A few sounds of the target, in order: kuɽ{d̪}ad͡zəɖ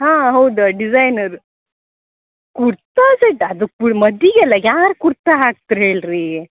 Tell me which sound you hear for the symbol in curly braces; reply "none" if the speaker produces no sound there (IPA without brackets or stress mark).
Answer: t̪